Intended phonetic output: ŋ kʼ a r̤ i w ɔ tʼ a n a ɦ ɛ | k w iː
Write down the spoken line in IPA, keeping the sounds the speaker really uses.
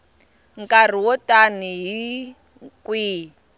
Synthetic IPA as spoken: ŋ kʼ a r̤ i w ɔ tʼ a n i ɦ i | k w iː

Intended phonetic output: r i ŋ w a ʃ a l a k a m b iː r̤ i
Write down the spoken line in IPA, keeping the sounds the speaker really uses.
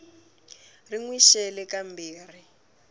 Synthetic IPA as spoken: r i ŋ w i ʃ ɛ l ɛ k a m b iː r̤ i

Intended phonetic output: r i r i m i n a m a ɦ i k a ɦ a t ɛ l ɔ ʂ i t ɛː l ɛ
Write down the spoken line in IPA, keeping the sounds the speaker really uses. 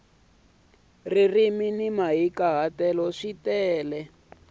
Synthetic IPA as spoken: r i r i m i n i m a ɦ i k a ɦ a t ɛ l ɔ ʂ i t ɛː l ɛ

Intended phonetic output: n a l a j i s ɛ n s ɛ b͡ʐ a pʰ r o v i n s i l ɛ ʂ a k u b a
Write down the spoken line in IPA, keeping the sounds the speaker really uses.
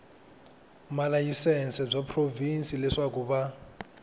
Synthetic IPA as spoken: m a l a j i s ɛ n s ɛ b͡ʐ a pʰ r o v i n s i l ɛ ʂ a k u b a

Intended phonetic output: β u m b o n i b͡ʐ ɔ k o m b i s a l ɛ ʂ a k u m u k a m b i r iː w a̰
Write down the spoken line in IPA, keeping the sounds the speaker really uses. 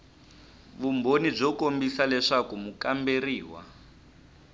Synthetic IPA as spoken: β u m b o n i b͡ʐ ɔ k o m b i s a l ɛ ʂ a k u m u k a m b e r iː w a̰

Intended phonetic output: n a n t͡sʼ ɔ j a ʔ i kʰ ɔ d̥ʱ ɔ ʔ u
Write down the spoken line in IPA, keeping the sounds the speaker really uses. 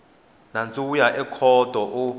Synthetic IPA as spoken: n a n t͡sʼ u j a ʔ ɛ kʰ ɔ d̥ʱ ɔ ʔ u

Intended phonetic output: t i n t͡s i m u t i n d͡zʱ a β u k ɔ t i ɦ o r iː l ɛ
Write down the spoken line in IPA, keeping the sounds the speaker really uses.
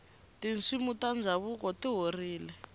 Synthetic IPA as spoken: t i n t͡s i m u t a n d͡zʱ a β u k ɔ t i ɦ o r iː l ɛ

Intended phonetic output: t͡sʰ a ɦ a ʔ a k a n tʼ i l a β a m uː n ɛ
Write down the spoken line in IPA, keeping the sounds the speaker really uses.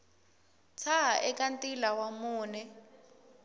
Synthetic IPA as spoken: t͡sʰ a ɦ a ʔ ɛ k a n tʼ i l a w a m uː n ɛ

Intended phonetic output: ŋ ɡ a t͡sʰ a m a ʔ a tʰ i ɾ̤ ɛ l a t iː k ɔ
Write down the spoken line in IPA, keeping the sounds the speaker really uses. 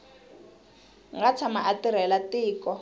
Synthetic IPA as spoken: ŋ ɡ a t͡sʰ a m a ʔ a t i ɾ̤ ɛ l a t iː k ɔ

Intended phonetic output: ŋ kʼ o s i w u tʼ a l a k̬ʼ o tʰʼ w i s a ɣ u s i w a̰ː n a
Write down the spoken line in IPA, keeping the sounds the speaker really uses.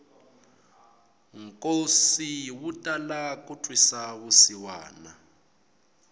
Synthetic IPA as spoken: ŋ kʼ o s i w u tʼ a l a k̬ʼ u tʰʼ w i s a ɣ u s i w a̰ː n a

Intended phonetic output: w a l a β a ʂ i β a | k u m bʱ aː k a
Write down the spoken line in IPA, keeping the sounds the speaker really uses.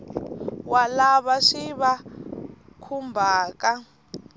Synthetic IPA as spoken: w a l a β a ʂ i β a | kʰ u m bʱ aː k a

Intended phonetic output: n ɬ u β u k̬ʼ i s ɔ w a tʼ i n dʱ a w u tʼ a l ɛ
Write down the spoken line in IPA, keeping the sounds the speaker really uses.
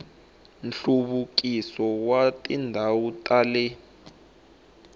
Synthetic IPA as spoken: n ɬ u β u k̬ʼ i s ɔ w a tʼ i n dʱ a w u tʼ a l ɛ

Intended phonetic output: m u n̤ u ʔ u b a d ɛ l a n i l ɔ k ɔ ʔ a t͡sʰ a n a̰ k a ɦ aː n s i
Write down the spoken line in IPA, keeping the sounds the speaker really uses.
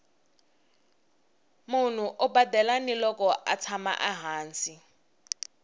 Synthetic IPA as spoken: m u n̤ u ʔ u b a d ɛ l a n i l ɔ k ɔ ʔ a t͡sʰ a m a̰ ʔ a ɦ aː n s i

